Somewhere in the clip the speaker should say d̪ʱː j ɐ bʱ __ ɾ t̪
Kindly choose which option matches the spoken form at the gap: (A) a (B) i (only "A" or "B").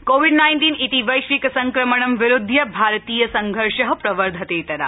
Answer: A